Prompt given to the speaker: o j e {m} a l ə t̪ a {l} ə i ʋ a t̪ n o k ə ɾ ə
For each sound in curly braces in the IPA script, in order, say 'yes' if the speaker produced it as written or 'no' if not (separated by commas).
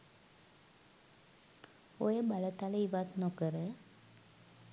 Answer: no, yes